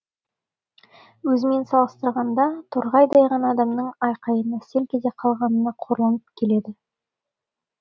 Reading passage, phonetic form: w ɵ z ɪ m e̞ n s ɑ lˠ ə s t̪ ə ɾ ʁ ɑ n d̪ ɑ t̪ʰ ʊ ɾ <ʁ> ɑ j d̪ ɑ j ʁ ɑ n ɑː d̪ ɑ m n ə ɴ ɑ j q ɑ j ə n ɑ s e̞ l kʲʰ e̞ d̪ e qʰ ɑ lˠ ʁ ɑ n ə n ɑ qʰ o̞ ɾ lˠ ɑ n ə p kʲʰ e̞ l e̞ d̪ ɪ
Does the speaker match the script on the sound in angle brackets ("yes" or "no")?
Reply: yes